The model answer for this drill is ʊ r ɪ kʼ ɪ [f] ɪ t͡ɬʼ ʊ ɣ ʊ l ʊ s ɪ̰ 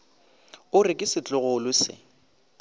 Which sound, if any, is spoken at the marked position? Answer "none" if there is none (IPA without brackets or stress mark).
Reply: s